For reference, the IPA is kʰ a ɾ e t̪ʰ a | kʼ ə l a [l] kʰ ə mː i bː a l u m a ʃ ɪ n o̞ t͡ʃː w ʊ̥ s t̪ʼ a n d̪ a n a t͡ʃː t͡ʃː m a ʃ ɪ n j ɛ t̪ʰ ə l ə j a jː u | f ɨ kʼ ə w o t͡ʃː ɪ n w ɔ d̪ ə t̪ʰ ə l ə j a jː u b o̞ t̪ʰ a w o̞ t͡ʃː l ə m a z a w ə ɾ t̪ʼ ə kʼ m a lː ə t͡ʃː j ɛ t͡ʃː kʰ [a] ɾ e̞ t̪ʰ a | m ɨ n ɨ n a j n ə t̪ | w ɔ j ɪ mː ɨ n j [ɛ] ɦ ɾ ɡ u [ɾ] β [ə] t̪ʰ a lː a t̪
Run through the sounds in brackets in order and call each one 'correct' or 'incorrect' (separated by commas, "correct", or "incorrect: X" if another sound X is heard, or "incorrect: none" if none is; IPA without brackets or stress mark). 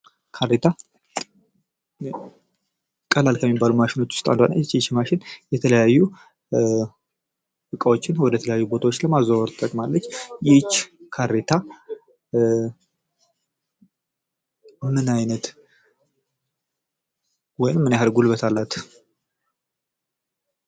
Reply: correct, correct, incorrect: a, incorrect: l, correct